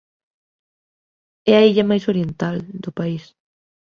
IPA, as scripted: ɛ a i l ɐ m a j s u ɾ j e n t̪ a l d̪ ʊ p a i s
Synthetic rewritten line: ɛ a i ʎ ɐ m a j s o ɾ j e n t̪ a l d̪ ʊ p a i s

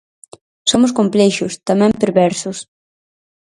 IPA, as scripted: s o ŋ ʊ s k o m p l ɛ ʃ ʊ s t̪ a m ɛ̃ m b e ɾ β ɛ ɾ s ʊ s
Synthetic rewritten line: s o m ʊ s k o m p l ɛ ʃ ʊ s t̪ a m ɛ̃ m p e ɾ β ɛ ɾ s ʊ s

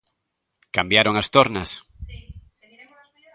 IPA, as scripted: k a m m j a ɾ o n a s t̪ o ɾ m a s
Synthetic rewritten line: k a m b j a ɾ o ŋ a s t̪ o ɾ n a s

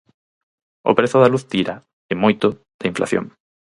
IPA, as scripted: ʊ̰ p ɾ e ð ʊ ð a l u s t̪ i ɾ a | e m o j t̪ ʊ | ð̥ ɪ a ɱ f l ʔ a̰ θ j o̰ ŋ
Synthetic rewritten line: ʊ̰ p ɾ e θ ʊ ð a l u θ t̪ i ɾ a | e m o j t̪ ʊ | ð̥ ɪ i ɱ f l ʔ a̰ θ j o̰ ŋ

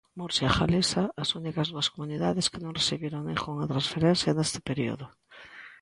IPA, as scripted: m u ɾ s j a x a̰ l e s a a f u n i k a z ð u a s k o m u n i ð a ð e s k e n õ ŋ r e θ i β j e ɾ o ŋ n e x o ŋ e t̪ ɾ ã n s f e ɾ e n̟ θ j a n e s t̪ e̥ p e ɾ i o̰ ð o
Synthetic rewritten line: m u ɾ s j a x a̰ l e s a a s u n i k a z ð u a s k o m u n i ð a ð e s k e n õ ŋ r e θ i β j e ɾ o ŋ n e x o ŋ a t̪ ɾ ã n s f e ɾ e n̟ θ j a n e s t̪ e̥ p e ɾ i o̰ ð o

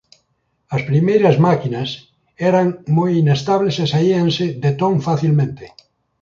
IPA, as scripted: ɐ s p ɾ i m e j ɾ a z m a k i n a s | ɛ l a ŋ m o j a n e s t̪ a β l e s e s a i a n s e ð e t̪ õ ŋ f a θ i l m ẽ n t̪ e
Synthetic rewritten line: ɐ s p ɾ i m e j ɾ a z m a k i n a s | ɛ ɾ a ŋ m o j i n e s t̪ a β l e s e s a i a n s e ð e t̪ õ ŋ f a θ i l m ẽ n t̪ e

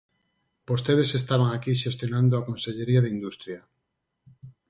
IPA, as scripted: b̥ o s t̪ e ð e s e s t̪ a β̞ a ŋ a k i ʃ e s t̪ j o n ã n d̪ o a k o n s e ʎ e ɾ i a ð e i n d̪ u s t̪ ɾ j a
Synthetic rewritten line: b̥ o s t̪ e ð e s e s t̪ a β̞ a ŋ a k i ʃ e s t̪ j o n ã n d̪ o a k o n s e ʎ e ɾ i a ð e i n d̪ u s t̪ ɾ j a

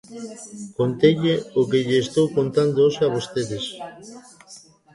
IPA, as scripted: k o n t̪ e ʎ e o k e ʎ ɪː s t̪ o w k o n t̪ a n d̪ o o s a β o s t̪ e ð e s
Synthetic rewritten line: k o n t̪ e ʎ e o k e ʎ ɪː s t̪ o w k o n t̪ a n d̪ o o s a β o s t̪ e ð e s

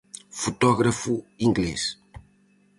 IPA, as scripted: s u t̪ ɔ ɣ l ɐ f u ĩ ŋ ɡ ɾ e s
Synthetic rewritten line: f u t̪ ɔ ɣ ɾ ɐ f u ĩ ŋ ɡ l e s

